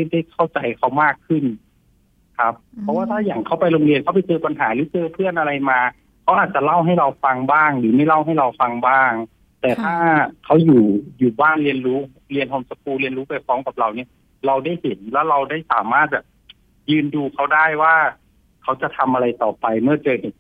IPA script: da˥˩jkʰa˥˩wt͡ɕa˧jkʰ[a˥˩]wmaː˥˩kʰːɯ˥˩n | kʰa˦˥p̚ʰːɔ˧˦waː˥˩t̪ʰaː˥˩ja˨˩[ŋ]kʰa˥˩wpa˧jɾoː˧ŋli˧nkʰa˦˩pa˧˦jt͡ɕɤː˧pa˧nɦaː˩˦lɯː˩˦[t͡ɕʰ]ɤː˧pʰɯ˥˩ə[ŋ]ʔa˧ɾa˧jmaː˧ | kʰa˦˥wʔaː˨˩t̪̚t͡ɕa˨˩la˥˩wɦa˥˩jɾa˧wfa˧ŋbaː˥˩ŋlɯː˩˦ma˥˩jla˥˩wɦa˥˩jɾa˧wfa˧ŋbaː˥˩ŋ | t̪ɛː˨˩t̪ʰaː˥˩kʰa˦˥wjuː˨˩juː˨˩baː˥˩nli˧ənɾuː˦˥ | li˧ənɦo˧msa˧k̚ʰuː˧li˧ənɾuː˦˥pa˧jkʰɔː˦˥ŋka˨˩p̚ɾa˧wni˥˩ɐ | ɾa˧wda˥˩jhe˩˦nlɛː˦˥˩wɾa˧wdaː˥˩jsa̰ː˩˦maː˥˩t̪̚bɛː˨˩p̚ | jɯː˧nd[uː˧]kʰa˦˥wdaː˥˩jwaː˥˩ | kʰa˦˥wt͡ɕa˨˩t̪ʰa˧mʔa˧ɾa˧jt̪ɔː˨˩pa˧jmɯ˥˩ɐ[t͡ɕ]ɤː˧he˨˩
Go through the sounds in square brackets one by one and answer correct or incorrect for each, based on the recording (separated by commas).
incorrect, correct, incorrect, incorrect, correct, correct